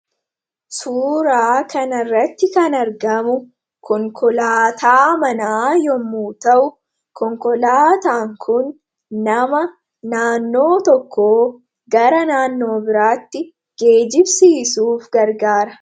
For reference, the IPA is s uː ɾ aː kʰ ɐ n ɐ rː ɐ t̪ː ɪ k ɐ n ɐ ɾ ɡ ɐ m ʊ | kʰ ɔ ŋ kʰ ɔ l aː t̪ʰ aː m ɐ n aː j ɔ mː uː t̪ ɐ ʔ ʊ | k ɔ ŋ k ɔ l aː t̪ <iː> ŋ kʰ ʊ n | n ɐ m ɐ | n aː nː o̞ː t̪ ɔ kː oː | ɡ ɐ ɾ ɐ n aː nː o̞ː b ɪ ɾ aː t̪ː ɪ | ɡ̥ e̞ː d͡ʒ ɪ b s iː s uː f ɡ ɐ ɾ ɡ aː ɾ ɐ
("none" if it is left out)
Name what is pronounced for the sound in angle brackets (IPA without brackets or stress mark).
aː